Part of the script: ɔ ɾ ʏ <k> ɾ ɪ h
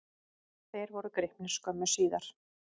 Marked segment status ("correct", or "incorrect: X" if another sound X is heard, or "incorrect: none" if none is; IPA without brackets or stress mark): correct